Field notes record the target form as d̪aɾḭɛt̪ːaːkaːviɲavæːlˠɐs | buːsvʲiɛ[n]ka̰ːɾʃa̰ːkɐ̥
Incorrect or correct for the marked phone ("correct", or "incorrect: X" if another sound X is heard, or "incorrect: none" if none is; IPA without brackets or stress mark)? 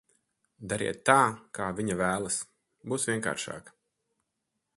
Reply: incorrect: ŋ